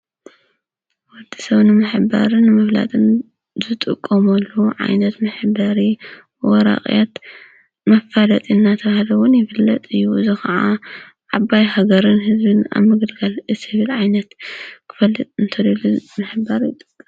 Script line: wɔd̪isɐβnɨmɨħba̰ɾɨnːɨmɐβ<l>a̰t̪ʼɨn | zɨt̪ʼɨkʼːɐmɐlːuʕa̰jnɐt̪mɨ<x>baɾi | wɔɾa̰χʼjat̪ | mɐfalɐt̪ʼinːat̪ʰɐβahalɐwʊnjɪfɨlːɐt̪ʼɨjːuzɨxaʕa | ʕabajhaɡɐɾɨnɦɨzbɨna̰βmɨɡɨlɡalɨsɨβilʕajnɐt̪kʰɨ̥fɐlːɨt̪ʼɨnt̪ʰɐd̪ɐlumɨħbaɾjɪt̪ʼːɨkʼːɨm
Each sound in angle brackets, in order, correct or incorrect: correct, incorrect: ħ

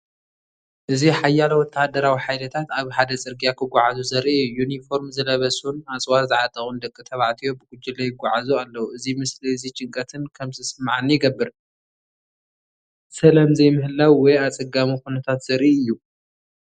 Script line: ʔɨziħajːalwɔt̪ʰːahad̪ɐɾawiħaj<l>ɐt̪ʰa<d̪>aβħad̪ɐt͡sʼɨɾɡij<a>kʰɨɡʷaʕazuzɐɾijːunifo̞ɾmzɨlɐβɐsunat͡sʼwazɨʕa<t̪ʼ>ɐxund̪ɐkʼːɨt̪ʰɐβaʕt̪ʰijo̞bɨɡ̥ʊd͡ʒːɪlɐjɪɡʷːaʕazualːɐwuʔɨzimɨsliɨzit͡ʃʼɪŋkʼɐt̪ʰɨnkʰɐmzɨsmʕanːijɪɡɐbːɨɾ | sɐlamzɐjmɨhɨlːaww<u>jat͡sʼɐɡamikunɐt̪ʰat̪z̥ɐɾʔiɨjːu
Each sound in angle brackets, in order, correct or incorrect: correct, incorrect: t̪, correct, correct, incorrect: ɔ

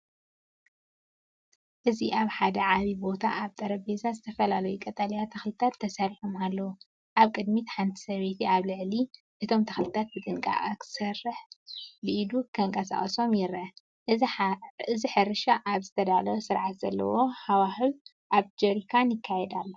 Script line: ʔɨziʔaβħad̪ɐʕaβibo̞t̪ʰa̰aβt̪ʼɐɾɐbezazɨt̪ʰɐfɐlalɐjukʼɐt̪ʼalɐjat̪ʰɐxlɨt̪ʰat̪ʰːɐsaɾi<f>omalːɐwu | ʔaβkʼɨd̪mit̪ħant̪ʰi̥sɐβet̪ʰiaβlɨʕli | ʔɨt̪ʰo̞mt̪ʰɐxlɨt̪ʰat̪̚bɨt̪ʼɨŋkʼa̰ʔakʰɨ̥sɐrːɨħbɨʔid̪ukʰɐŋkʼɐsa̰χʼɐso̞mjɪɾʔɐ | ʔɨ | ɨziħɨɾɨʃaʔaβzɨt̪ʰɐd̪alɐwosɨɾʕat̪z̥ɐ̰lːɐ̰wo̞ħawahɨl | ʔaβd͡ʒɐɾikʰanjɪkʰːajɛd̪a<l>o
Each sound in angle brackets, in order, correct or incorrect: incorrect: ħ, incorrect: lː

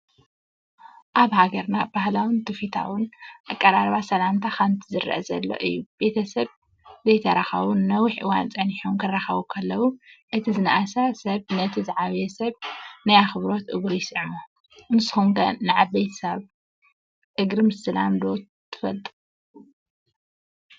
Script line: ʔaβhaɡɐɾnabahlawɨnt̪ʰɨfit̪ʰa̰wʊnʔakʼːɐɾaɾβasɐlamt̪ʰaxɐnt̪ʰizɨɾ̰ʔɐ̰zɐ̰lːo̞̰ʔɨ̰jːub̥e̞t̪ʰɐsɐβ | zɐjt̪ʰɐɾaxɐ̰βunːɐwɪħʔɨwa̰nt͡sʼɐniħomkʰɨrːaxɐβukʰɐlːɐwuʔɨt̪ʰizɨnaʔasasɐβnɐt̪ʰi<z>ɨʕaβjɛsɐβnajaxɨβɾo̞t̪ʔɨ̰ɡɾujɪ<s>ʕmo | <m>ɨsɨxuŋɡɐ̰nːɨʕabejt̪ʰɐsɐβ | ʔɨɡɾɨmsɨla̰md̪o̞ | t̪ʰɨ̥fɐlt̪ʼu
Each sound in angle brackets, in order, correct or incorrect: correct, correct, incorrect: n

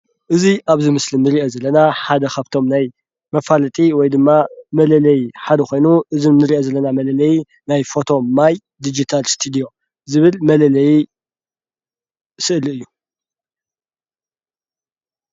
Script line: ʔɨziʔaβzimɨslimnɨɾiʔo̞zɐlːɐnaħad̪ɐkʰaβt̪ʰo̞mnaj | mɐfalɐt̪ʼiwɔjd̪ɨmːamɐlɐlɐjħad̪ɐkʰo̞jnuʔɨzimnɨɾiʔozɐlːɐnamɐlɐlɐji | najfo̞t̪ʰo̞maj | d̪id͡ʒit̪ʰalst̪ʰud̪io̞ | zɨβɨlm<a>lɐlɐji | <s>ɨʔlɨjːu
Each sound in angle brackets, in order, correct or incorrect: incorrect: ɐ, correct

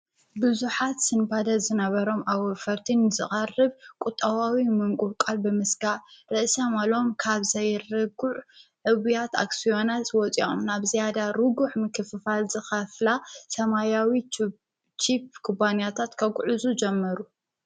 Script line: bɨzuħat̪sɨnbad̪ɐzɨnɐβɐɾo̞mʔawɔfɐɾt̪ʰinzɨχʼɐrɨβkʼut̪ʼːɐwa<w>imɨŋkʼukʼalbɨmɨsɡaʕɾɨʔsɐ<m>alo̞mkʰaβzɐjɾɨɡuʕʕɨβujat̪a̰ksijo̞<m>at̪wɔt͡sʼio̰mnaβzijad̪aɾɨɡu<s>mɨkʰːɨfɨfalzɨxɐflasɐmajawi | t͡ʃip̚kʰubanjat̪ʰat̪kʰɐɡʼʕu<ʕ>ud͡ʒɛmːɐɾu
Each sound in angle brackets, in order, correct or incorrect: correct, correct, incorrect: n, incorrect: ħ, incorrect: z

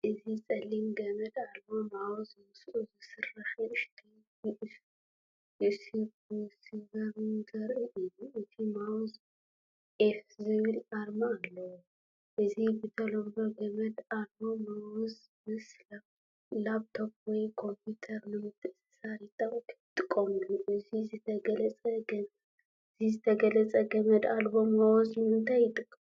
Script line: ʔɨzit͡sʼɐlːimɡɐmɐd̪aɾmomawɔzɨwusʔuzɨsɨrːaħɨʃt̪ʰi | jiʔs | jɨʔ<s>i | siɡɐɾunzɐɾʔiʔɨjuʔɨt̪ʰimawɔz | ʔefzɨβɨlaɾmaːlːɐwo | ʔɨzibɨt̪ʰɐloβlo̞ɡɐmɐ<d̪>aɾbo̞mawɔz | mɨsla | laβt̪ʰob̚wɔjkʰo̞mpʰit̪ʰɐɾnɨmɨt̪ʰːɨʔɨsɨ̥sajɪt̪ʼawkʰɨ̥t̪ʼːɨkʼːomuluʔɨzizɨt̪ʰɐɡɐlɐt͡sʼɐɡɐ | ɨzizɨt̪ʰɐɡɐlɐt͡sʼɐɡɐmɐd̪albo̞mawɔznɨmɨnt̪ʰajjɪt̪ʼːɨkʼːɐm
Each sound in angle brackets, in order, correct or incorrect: correct, correct

